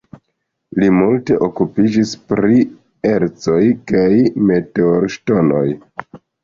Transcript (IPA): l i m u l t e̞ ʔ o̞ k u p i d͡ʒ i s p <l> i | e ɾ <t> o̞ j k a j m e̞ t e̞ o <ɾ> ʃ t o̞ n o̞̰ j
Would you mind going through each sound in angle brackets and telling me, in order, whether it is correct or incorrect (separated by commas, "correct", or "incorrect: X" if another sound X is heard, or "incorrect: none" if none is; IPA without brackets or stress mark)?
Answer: incorrect: ɾ, incorrect: t͡s, correct